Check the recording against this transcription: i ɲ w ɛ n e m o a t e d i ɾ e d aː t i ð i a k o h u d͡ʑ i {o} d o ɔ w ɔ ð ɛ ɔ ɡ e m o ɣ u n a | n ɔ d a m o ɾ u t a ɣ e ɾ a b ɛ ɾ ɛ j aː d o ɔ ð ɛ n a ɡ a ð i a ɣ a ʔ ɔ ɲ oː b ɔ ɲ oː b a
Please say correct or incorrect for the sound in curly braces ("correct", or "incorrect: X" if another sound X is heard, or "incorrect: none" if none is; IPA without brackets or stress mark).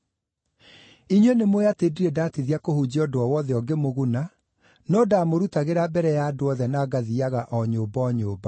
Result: incorrect: ɔ